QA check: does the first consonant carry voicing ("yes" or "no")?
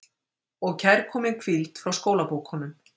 yes